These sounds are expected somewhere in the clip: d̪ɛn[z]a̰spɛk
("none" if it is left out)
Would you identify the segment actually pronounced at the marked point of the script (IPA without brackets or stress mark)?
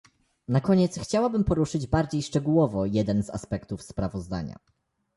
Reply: z